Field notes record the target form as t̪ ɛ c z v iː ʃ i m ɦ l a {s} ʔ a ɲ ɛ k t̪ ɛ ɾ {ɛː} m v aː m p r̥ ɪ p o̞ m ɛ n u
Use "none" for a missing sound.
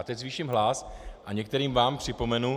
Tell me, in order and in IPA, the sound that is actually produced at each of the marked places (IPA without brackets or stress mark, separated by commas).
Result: s, iː